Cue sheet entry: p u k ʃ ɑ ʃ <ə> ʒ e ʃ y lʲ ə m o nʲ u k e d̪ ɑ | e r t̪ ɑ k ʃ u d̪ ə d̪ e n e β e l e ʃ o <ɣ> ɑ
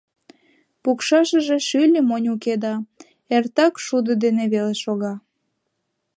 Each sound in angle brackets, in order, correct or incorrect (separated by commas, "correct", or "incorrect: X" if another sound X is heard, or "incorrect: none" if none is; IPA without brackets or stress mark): correct, correct